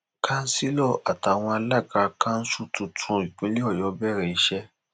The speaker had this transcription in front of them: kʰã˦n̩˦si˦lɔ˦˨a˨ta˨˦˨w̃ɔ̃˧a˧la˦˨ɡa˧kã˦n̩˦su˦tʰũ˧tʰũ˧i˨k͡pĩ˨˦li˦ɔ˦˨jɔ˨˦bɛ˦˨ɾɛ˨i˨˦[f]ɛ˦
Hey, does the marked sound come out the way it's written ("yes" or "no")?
no